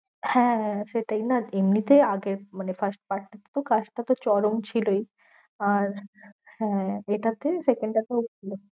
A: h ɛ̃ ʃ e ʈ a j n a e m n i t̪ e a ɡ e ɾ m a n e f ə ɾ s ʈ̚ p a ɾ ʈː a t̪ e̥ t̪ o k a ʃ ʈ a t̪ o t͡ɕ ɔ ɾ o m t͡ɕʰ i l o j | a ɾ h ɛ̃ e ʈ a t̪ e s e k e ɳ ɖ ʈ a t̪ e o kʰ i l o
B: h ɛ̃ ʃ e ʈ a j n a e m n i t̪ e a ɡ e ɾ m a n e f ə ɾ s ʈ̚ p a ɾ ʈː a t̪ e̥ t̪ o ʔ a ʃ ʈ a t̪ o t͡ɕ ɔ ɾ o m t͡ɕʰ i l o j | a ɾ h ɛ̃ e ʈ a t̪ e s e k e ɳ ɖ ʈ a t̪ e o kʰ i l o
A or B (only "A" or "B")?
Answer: A